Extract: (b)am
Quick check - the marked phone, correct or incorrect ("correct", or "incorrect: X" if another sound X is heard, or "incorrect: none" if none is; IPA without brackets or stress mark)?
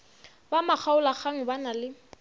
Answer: correct